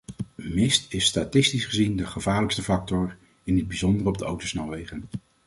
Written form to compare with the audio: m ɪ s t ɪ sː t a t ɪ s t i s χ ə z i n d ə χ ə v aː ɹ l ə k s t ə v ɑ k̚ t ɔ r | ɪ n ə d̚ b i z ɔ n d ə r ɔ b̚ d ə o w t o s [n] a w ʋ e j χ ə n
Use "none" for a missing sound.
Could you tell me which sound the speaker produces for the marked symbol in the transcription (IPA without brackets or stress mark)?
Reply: n